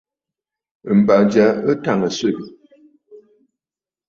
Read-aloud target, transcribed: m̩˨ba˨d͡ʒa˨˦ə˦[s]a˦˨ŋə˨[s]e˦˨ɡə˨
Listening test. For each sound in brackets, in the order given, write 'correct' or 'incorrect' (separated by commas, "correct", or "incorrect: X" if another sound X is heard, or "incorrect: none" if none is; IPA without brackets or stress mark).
incorrect: t, correct